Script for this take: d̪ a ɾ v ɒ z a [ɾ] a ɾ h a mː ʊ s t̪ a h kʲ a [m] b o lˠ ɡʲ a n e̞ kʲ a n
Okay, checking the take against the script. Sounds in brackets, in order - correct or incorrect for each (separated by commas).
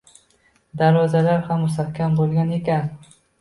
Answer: incorrect, correct